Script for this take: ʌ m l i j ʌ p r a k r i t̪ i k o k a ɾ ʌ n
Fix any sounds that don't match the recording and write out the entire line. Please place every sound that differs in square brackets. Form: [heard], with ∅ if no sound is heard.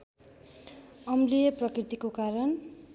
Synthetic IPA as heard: ʌ m l i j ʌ p r [ʌ] k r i t̪ i k o k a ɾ ʌ n